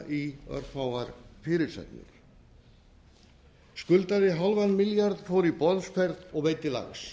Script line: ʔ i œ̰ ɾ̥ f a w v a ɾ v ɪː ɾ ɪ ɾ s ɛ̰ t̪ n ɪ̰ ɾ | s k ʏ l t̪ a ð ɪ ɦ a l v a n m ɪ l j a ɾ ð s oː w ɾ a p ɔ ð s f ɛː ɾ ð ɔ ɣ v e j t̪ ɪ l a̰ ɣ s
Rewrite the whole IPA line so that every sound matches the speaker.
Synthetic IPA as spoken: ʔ i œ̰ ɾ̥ f a w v a ɾ f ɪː ɾ ɪ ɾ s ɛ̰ t̪ n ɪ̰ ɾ | s k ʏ l t̪ a ð ɪ ɦ a l v a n m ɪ l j a ɾ ð f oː w ɾ i p ɔ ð s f ɛ ɾ ð ɔ ɣ v e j t̪ ɪ l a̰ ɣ s